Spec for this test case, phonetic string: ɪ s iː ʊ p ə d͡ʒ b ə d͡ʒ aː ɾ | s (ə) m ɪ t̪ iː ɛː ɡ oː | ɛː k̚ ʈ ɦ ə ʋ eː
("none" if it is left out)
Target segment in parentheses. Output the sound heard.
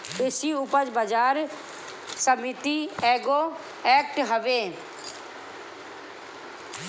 ə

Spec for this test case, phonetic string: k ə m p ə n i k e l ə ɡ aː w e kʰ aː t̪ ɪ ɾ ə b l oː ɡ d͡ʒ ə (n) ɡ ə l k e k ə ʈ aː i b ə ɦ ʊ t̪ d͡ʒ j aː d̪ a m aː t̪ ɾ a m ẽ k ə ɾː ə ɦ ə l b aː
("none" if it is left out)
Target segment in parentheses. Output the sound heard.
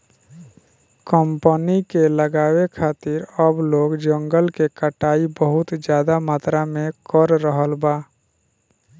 ŋ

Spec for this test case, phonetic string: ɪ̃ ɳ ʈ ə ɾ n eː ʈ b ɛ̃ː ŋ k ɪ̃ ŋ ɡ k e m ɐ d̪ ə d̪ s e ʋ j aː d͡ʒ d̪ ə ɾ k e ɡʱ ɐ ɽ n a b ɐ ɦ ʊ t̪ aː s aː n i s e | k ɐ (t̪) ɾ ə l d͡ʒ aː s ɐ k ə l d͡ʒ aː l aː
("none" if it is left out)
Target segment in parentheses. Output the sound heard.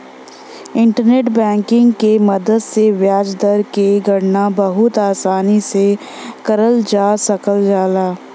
none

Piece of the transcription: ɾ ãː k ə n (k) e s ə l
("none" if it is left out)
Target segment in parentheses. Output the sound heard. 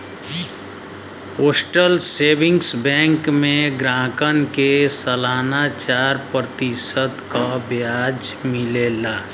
k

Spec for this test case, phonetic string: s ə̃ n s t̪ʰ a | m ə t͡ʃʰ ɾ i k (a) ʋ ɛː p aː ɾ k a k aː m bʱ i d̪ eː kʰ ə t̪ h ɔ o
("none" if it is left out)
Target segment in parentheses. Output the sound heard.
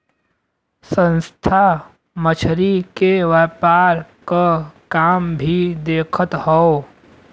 e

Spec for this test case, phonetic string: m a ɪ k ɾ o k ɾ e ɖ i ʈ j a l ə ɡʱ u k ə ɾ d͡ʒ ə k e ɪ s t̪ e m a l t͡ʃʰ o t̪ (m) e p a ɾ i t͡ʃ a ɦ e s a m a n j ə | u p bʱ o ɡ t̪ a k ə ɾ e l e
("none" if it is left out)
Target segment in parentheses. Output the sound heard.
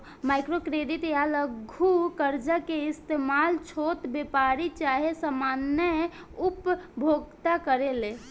b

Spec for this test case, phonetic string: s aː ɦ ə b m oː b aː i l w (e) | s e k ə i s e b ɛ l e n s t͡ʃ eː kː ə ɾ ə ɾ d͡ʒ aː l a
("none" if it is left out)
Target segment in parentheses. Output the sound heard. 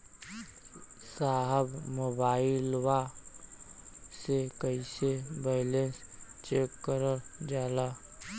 a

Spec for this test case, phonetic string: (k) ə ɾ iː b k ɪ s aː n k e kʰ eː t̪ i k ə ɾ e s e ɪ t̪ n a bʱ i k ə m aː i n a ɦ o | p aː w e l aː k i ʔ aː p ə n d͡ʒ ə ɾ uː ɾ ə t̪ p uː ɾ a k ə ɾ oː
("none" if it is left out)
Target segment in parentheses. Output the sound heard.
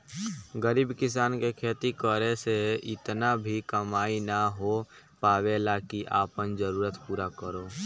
ɡ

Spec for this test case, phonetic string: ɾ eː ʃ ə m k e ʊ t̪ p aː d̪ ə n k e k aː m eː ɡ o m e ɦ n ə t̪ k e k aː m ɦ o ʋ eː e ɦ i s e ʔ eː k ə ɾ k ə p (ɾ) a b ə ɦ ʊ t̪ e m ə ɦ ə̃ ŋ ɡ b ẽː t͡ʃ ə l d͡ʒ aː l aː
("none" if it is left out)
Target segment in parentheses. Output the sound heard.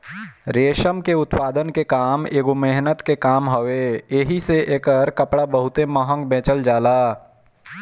ɽ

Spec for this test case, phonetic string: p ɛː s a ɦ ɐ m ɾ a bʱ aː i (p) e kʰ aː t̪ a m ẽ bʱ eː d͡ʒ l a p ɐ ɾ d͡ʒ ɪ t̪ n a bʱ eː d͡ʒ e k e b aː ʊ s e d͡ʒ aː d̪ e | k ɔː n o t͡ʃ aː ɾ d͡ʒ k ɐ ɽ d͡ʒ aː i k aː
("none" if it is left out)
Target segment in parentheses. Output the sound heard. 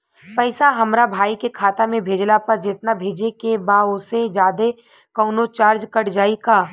k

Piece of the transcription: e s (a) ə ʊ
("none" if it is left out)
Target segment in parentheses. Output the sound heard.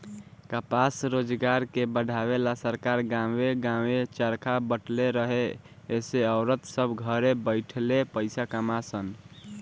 e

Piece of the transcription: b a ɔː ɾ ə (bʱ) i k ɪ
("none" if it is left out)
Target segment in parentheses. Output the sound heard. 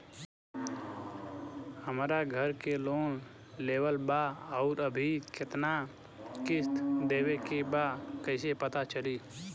bʱ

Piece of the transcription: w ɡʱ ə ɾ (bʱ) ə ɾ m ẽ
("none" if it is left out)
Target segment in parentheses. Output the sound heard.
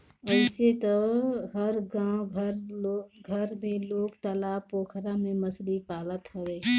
ɡʱ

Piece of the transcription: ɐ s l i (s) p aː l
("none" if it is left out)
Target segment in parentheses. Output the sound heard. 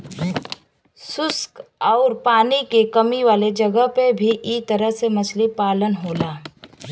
none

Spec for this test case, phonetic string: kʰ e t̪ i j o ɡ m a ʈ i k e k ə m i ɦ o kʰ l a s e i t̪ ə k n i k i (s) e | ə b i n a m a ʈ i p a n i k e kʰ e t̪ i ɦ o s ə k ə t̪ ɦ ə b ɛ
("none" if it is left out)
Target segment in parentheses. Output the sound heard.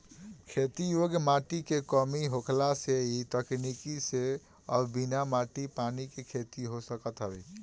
s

